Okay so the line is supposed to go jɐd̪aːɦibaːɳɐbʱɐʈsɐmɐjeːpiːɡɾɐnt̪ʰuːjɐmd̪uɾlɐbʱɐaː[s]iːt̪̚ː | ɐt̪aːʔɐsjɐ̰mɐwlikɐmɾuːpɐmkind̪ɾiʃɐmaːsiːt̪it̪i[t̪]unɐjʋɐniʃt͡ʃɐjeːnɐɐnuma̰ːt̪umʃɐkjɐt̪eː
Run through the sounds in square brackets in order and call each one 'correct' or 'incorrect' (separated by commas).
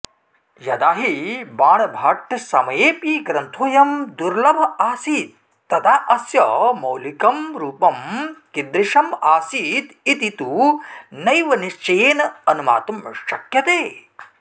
correct, correct